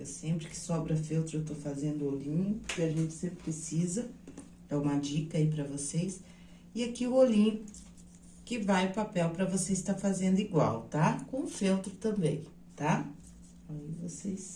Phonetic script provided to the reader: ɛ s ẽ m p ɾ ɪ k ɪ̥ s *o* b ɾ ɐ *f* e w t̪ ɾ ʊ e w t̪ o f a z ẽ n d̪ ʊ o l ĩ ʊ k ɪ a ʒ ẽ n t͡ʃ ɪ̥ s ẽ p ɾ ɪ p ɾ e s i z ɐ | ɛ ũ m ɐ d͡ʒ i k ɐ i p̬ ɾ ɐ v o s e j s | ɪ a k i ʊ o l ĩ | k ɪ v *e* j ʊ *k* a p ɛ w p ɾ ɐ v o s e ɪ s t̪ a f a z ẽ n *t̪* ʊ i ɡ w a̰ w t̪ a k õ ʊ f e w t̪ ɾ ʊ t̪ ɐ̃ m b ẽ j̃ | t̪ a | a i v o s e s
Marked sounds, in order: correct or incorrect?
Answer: incorrect, correct, incorrect, incorrect, incorrect

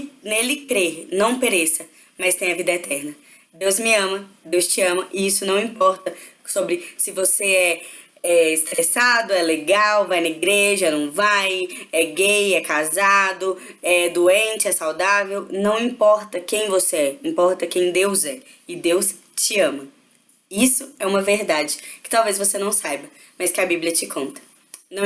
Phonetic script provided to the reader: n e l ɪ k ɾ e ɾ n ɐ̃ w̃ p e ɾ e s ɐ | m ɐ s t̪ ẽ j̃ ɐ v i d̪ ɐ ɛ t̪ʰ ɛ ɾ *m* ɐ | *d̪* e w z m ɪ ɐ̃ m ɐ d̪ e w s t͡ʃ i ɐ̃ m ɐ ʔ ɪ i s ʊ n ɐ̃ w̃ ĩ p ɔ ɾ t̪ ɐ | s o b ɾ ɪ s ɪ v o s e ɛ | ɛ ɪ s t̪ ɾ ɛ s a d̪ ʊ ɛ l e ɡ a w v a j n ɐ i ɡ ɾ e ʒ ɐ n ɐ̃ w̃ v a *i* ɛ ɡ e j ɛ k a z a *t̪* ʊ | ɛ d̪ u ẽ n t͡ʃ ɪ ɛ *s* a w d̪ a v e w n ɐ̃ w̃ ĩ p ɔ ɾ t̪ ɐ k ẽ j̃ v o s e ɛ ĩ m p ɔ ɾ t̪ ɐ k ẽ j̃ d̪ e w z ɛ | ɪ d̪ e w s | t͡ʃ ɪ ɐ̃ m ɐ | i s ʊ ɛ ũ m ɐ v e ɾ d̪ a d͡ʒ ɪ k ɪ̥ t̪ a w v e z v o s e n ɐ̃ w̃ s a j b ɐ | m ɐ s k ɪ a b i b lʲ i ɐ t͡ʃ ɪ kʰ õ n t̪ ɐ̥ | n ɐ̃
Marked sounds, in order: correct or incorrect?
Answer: incorrect, correct, incorrect, incorrect, correct

